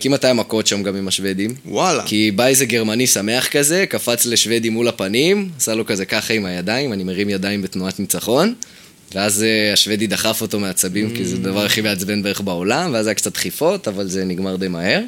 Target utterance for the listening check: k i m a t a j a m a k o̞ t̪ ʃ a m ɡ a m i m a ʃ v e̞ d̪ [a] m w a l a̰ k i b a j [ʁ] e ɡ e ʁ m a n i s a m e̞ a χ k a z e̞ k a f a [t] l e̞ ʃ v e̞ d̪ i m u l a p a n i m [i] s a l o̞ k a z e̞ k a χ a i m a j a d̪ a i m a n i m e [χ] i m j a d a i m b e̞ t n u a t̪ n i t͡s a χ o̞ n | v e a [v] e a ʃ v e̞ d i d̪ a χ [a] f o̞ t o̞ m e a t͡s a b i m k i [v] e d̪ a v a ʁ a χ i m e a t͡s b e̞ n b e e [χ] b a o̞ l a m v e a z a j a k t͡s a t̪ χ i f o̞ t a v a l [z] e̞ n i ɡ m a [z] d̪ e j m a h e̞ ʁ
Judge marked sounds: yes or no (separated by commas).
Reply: no, no, no, no, no, no, yes, no, yes, yes, no